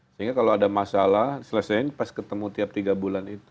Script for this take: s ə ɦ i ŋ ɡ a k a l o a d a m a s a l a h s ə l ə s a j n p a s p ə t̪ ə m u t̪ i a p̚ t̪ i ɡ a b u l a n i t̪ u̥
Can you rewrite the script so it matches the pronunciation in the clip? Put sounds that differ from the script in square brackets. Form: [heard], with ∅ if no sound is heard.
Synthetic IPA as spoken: s ə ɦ i ŋ ɡ a k a l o a d a m a s a l a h s ə l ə s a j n p a s [k] ə t̪ ə m u t̪ i a p̚ t̪ i ɡ a b u l a n i t̪ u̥